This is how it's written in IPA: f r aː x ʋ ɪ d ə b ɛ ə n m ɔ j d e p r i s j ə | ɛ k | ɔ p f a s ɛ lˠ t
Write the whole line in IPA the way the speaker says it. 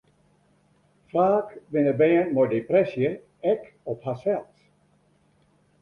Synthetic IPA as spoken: f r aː k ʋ ɪ n ə b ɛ ə n m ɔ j d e p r ɛ s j ə | ɛ k | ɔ p h a s ɛ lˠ t